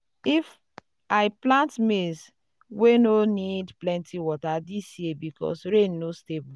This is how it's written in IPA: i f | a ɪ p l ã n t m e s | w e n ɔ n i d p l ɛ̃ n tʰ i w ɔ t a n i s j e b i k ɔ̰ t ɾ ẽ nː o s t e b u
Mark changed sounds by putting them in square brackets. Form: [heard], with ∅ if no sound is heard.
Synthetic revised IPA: i f | a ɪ p l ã n t m e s | w e n [o] n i d p l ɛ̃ n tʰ i w ɔ t a [d] i s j e b i k ɔ̰ [s] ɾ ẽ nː o s t e b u